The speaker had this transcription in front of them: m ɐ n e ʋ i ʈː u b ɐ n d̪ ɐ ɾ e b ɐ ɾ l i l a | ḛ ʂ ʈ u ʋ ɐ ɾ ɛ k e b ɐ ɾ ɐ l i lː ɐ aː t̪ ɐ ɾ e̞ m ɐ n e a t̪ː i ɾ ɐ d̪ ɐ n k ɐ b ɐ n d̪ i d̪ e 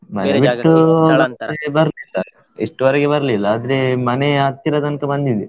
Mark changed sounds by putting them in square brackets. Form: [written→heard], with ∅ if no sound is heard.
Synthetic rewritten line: m ɐ n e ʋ i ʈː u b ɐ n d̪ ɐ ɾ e b ɐ ɾ l i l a | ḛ ʂ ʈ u ʋ ɐ ɾ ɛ [k→ɡ] e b ɐ ɾ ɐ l i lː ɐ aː [t̪→d̪] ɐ ɾ e̞ m ɐ n e a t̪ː i ɾ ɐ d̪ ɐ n k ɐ b ɐ n d̪ i d̪ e